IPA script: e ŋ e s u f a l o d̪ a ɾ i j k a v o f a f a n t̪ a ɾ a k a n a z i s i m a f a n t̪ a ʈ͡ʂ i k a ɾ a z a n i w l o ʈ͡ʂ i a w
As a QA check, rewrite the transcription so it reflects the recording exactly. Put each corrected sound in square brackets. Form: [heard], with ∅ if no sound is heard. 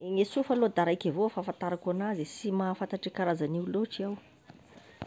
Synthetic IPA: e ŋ e s u f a l o d̪ a ɾ [a] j k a v o f a f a n t̪ a ɾ a k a n a z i s i m a f a n t̪ a ʈ͡ʂ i k a ɾ a z a n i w l o ʈ͡ʂ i a w

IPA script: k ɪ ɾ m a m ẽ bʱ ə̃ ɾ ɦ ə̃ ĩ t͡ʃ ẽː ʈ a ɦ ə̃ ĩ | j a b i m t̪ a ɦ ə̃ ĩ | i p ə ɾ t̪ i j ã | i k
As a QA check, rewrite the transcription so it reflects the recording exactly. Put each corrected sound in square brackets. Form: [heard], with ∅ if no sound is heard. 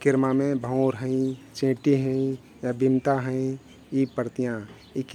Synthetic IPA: k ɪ ɾ m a m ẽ bʱ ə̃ ɾ ɦ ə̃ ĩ t͡ʃ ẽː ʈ [i] ɦ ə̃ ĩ | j a b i m t̪ a ɦ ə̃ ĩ | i p ə ɾ t̪ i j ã | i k

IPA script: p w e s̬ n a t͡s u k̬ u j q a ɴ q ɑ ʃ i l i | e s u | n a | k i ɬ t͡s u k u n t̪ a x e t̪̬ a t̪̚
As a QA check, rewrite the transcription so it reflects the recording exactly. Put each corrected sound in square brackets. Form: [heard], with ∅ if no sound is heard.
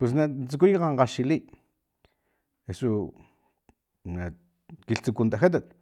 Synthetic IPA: p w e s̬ n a t͡s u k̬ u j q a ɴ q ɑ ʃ i l i | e s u | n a | k i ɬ t͡s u k u n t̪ a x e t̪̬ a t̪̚

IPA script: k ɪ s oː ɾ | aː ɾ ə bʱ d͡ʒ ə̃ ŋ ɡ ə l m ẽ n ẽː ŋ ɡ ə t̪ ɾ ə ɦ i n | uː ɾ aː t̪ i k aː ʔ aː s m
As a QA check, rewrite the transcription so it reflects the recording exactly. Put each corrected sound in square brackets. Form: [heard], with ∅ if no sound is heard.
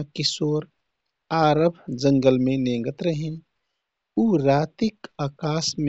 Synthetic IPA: k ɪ s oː ɾ | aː ɾ ə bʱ d͡ʒ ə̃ ŋ ɡ ə l m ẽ n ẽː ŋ ɡ ə t̪ ɾ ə ɦ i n | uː ɾ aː t̪ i k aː [k] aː s m

